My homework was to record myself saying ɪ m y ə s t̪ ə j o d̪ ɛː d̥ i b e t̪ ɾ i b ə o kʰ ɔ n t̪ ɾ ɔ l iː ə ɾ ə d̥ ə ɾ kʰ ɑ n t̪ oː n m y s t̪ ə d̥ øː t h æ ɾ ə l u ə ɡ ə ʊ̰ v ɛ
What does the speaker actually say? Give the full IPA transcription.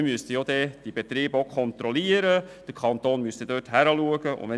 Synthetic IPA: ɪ m y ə s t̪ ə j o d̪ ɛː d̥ i b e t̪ ɾ iː b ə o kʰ ɔ n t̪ ɾ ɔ l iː ə ɾ ə d̥ ə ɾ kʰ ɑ n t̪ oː n m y s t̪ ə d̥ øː t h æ ɾ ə l u ə ɡ ə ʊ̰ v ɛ

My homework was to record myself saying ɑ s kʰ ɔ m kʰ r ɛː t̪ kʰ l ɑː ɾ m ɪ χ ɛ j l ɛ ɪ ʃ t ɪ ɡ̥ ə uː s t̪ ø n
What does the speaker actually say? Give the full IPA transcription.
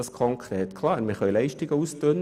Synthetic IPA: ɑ s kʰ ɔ ŋ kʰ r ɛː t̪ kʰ l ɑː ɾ m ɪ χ œ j l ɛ ɪ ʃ t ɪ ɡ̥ ə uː s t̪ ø n

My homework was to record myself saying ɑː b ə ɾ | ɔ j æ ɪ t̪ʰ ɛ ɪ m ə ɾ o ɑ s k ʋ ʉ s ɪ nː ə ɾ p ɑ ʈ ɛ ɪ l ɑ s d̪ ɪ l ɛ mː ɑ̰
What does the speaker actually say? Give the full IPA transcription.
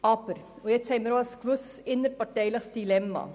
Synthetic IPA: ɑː p ə ɾ | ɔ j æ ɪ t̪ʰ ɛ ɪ m ə ɾ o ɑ s k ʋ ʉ s ɪ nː ə ɾ p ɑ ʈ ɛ ɪ l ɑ s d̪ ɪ l ɛ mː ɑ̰

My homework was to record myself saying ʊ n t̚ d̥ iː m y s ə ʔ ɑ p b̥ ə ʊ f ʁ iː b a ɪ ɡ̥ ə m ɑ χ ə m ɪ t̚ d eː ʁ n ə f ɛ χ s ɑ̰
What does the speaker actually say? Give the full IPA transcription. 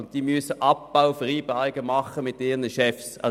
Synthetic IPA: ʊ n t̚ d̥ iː m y s ə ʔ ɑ p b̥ a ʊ f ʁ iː b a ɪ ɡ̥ ə m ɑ χ ə m ɪ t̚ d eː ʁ n ə ʃ ɛ f s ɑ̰

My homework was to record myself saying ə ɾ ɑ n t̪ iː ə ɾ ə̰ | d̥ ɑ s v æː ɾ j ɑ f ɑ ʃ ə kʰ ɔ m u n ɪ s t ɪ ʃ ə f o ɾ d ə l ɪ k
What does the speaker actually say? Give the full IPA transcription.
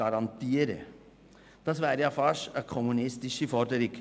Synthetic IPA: ɑ ɾ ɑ n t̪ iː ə ɾ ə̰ | d̥ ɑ s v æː ɾ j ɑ f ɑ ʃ ə kʰ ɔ m u n ɪ s t ɪ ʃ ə f ɔ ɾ d ə ɾ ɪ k

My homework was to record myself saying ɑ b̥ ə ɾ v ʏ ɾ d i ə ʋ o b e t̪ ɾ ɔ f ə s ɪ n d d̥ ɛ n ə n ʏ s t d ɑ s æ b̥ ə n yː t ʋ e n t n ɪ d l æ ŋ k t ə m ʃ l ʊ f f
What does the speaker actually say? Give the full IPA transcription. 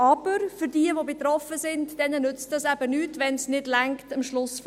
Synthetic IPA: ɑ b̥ ə ɾ f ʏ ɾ d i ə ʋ o b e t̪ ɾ ɔ f ə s ɪ n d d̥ ɛ n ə n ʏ t͡s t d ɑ s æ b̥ ə n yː t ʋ ɛ n s n ɪ d l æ ŋ k t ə m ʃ l ʊ s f

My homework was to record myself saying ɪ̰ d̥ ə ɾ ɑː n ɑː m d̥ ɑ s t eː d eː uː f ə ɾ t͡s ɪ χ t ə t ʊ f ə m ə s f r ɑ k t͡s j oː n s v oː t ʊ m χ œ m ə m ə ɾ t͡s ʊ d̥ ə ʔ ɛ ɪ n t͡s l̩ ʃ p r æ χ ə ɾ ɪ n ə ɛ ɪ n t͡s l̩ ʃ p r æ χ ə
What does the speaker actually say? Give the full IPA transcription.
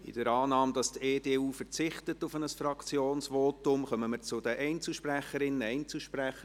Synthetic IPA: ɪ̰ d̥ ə ɾ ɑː n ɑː m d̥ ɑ s t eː d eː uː f ə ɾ t͡s ɪ χ t ə t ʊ f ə n ə s f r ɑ k t͡s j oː n s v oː t ʊ m χ œ m ə m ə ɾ t͡s ʊ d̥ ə ʔ ɛ ɪ n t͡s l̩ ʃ p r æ χ ə ɾ ɪ n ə ɛ ɪ n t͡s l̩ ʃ p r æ χ ə

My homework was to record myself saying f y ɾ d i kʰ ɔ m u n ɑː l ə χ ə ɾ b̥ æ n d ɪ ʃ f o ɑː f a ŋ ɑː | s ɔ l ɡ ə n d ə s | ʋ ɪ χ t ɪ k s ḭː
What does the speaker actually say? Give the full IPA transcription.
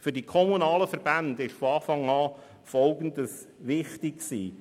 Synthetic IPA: f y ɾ d i kʰ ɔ m u n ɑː l ə f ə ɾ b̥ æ n d ɪ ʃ f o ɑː f ɑ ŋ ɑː | f ɔ l ɡ ə n d ə s | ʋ ɪ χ t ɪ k s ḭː

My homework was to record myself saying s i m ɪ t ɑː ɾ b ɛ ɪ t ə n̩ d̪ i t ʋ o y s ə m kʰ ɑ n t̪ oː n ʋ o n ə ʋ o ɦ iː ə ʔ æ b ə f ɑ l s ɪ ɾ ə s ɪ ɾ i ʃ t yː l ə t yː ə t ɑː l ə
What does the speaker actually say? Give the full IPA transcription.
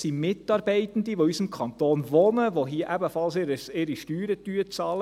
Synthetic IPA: s i m ɪ t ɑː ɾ b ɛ ɪ t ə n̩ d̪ i ʋ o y s ə m kʰ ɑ n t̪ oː n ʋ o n ə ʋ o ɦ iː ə ʔ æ b ə f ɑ l s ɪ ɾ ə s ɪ ɾ i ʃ t yː ɾ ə t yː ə t͡s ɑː l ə

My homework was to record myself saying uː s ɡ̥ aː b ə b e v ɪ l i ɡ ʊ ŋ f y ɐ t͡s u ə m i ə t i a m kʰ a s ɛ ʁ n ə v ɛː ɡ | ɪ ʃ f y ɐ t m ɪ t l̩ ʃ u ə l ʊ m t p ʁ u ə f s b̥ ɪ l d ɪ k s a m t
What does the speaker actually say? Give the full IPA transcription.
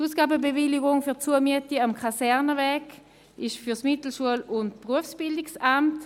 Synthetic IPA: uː s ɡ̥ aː b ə b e v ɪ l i ɡ ʊ ŋ f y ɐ t͡s u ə m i ə t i a m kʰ a s ɛ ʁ n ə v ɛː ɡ | ɪ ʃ f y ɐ s m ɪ t l̩ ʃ u ə l ʊ n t p ʁ u ə f s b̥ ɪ l d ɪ k s a m t

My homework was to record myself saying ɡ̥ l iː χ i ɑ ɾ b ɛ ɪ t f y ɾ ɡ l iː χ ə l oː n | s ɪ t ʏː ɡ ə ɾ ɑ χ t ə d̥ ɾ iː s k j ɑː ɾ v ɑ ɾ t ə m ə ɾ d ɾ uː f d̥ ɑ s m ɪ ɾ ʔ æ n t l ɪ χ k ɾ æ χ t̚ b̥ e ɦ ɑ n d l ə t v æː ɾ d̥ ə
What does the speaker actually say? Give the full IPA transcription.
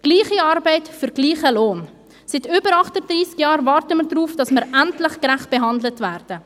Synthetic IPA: ɡ̥ l iː χ i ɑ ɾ b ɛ ɪ t f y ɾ ɡ l iː χ ə l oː n | s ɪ t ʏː b ə ɾ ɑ χ t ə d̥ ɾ iː s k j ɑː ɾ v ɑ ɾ t ə m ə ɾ d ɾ uː f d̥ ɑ s m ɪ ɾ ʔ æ n t l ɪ χ k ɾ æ χ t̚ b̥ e ɦ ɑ n d l ə t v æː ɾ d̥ ə

